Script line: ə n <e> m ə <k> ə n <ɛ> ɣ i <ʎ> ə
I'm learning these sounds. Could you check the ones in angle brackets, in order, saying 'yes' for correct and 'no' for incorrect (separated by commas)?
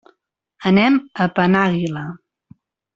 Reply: no, no, no, no